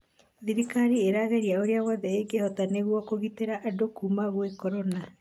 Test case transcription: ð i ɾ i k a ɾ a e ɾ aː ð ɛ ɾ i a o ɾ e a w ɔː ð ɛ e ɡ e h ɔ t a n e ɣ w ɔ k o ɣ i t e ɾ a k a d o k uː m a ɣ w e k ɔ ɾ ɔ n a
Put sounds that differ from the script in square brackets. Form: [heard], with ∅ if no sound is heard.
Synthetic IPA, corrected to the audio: ð i ɾ i k a ɾ [i] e ɾ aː [ɣ] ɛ ɾ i a o ɾ e a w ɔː ð ɛ e ɡ e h ɔ t a n e ɣ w ɔ k o ɣ i t e ɾ a [ʔ] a d o k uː m a ɣ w e k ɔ ɾ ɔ n a